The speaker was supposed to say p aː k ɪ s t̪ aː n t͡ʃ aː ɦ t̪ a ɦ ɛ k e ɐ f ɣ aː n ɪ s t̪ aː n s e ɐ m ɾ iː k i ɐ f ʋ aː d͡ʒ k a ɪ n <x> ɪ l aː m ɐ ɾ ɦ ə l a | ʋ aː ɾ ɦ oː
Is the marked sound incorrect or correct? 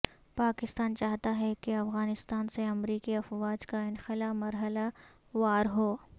correct